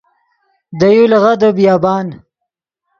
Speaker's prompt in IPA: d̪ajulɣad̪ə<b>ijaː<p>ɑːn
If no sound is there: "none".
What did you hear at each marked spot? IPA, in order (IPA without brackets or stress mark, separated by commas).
b, b